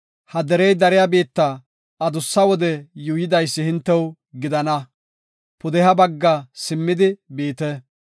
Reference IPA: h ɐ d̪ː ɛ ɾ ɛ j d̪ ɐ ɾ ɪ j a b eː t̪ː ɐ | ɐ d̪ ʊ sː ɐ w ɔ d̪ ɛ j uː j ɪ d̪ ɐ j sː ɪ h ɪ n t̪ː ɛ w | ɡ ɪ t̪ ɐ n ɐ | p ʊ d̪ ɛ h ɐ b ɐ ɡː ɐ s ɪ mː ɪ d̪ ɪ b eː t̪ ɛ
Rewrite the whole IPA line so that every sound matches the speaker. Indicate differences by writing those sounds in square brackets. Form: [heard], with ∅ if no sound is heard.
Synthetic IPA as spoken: h ɐ [d̪] ɛ ɾ ɛ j d̪ ɐ ɾ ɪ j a b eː t̪ː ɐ | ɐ d̪ ʊ sː ɐ w ɔ d̪ ɛ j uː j ɪ d̪ ɐ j sː ɪ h ɪ n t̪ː ɛ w | ɡ ɪ [d̪] ɐ n ɐ | p ʊ d̪ ɛ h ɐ b ɐ ɡː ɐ s ɪ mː ɪ d̪ ɪ b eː t̪ ɛ